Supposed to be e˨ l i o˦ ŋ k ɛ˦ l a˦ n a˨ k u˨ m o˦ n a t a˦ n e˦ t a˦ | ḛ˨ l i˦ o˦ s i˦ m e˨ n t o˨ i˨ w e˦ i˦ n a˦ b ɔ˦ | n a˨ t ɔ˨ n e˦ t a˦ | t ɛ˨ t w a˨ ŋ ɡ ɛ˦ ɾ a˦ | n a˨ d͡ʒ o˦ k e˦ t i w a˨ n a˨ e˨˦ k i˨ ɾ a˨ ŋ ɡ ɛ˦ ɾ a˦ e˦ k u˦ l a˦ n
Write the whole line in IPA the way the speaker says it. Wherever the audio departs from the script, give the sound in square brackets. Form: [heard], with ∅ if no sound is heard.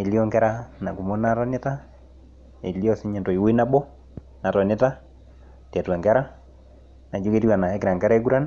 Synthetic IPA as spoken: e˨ l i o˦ ŋ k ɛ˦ [ɾ] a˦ n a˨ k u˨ m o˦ n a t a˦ n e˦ t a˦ | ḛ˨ l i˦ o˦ s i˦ [ɲ] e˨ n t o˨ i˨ w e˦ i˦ n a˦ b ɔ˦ | n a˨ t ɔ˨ n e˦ t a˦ | t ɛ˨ t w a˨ ŋ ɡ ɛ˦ ɾ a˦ | n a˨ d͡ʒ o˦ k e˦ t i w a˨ n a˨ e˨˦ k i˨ ɾ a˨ ŋ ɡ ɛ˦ ɾ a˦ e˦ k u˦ [ɾ] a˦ n